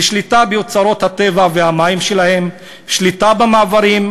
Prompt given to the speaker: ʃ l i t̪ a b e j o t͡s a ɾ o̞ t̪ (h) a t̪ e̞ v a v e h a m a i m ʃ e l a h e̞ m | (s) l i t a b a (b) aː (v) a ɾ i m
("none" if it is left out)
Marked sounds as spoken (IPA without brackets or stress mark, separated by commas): h, ʃ, m, v